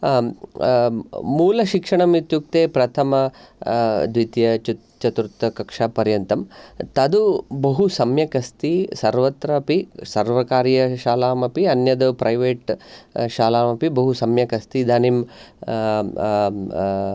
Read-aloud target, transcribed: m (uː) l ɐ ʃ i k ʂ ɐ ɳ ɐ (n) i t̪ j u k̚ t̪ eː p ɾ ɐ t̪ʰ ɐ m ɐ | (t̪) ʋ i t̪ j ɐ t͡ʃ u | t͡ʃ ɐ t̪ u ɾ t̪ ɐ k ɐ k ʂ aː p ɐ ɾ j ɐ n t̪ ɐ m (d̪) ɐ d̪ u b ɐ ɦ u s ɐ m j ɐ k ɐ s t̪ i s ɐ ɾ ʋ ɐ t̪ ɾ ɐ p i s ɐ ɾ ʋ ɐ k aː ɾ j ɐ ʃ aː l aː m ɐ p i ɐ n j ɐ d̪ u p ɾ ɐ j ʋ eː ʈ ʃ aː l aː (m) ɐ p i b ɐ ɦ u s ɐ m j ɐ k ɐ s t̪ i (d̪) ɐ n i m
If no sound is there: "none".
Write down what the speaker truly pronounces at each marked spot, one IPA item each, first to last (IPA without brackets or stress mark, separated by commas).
uː, m, d̪, t̪, m, d̪